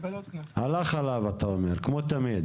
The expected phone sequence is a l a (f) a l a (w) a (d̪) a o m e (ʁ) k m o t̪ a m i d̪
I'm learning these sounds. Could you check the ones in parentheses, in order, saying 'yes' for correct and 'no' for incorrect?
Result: no, no, no, yes

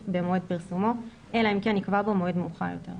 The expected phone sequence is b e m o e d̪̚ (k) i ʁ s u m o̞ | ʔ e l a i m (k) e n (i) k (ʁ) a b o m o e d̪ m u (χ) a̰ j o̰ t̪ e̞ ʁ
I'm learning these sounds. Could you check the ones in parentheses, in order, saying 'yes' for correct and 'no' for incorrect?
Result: no, yes, yes, no, yes

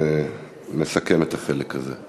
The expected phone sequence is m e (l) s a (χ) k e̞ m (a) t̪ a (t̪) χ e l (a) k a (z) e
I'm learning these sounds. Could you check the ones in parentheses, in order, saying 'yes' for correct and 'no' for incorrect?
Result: no, no, no, no, no, yes

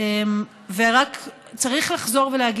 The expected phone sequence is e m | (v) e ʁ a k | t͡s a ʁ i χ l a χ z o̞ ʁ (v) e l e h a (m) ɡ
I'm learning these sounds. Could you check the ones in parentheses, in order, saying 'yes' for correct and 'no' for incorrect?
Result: yes, yes, no

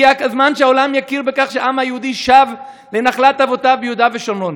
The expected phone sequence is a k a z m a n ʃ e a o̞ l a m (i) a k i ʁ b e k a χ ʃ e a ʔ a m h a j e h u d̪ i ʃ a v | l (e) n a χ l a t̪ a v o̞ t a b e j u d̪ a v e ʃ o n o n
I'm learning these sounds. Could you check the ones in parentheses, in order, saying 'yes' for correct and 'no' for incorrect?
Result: no, yes

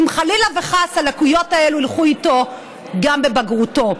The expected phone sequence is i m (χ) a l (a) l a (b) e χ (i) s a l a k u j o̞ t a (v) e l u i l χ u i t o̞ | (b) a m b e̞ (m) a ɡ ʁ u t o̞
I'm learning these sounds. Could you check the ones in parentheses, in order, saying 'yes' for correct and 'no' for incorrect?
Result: yes, no, no, no, no, no, no

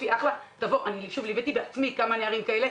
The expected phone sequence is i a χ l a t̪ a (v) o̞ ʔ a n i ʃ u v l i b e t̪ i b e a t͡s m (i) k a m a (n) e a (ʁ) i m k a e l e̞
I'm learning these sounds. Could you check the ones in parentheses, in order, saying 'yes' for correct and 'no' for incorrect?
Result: yes, yes, yes, yes

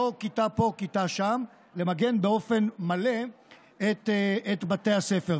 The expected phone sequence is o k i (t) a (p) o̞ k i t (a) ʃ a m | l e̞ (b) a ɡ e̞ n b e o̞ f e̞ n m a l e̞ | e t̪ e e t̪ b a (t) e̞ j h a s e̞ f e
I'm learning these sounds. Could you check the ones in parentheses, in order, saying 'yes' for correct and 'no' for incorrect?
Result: yes, yes, yes, no, yes

